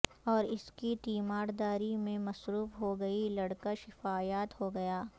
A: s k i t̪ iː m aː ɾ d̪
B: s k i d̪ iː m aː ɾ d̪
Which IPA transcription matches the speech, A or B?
A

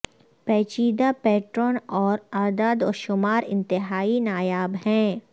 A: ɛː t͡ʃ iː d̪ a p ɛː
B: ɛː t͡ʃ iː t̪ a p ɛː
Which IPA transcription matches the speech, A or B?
A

